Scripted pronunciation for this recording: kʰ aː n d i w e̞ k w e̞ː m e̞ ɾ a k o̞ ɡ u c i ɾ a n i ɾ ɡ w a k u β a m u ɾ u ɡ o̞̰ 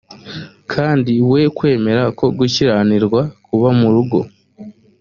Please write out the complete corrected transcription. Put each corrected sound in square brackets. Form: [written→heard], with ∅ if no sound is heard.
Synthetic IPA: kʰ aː n d i w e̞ k w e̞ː m e̞ ɾ a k o̞ ɡ u c i ɾ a n i ɾ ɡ w a k u β a m u ɾ u ɡ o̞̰